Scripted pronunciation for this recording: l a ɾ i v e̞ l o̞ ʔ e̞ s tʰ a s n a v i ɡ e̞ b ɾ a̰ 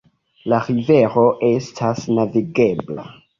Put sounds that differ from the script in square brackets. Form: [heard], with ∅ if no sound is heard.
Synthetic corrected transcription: l a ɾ i v e̞ [ɾ] o̞ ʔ e̞ s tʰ a s n a v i ɡ e̞ b [l] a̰